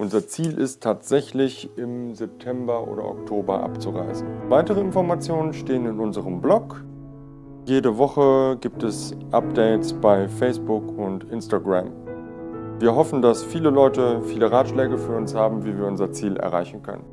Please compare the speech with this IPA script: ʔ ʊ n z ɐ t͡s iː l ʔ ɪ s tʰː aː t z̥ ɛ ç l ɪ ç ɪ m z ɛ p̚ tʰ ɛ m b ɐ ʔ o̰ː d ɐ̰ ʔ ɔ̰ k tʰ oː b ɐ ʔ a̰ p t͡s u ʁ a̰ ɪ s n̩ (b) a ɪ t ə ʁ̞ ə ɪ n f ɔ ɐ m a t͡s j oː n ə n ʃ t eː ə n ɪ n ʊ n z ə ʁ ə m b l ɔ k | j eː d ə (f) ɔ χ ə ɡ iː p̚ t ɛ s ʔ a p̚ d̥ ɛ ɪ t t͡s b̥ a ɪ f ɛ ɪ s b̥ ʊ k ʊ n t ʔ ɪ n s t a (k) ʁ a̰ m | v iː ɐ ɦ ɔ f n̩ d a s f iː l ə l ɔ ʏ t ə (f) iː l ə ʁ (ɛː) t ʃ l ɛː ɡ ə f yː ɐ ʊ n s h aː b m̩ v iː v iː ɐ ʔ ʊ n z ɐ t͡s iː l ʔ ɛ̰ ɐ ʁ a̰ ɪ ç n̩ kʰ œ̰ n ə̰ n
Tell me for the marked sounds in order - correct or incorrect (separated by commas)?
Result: incorrect, incorrect, incorrect, correct, incorrect